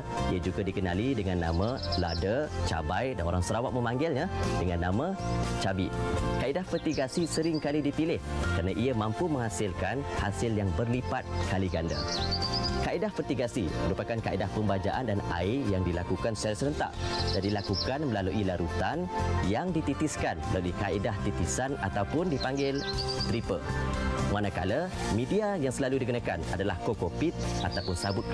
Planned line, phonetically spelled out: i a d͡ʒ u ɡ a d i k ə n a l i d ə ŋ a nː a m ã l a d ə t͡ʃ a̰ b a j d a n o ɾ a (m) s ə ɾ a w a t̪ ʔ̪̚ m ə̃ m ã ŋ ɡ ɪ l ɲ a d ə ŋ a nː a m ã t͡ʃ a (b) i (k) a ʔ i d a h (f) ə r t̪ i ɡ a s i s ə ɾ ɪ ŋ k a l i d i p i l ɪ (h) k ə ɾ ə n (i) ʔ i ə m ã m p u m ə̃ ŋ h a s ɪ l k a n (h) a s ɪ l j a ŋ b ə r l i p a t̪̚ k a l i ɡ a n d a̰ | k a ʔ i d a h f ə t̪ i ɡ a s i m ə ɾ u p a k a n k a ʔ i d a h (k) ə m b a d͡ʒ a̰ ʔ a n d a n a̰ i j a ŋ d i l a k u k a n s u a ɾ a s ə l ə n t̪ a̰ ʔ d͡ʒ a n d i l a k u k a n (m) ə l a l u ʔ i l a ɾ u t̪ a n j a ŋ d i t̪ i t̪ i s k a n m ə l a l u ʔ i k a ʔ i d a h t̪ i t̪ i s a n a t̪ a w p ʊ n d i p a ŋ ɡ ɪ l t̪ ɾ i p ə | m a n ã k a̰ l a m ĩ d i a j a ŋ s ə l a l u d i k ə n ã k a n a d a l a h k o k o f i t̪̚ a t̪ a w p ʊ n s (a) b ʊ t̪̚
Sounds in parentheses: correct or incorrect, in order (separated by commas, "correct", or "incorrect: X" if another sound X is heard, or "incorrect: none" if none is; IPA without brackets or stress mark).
incorrect: ŋ, correct, correct, correct, correct, incorrect: a, correct, incorrect: p, correct, correct